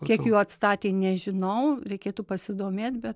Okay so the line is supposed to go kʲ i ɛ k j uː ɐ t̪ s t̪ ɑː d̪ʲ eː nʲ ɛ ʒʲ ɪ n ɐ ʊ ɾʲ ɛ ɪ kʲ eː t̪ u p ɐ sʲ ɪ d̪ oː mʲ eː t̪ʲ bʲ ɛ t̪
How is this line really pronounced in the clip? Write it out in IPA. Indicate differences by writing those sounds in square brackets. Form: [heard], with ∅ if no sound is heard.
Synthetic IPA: kʲ i ɛ k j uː ɐ t̪ s t̪ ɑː [t̪ʲ] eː nʲ ɛ ʒʲ ɪ n ɐ ʊ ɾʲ ɛ ɪ kʲ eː t̪ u p ɐ sʲ ɪ d̪ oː mʲ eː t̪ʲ bʲ ɛ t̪